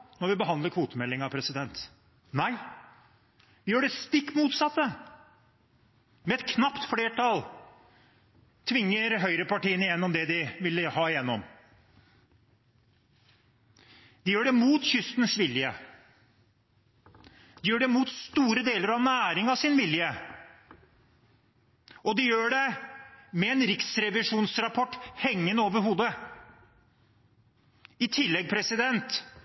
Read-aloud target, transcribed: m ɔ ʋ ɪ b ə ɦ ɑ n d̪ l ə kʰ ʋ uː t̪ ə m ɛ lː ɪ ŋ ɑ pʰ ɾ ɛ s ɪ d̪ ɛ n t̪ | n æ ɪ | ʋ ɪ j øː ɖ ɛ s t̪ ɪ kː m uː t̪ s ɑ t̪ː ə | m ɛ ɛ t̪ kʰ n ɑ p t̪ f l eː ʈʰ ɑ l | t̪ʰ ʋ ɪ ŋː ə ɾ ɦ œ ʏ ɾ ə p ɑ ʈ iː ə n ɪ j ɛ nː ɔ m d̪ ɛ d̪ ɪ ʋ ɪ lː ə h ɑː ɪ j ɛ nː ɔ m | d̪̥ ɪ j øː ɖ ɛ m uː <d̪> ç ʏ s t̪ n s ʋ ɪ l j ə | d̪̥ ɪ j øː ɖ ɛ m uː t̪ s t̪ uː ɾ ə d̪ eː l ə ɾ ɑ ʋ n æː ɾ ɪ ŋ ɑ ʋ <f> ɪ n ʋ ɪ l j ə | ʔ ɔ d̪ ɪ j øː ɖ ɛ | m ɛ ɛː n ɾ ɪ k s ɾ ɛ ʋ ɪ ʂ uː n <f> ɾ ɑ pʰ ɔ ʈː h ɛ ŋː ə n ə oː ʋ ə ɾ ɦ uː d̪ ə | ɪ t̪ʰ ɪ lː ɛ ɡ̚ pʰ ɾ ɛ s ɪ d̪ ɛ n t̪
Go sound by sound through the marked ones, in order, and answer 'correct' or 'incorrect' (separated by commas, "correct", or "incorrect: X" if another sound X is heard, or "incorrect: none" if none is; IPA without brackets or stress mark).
incorrect: t̪, incorrect: s, incorrect: s